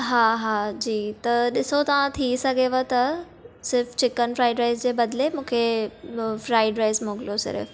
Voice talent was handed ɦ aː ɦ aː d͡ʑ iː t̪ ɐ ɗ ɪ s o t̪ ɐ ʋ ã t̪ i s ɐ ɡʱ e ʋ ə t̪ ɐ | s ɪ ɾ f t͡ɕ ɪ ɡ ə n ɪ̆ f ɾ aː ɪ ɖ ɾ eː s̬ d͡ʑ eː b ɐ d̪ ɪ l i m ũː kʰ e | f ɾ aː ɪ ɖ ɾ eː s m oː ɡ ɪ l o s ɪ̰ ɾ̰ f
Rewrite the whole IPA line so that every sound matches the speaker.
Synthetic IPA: ɦ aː ɦ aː d͡ʑ iː t̪ ɐ ɗ ɪ s o t̪ ɐ ʋ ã t̪ʰ i s ɐ ɡʱ e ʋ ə t̪ ɐ | s ɪ ɾ f t͡ɕ ɪ k ə n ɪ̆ f ɾ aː ɪ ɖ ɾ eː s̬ d͡ʑ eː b ɐ d̪ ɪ l e m ũː kʰ e | f ɾ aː ɪ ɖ ɾ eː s m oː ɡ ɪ l o s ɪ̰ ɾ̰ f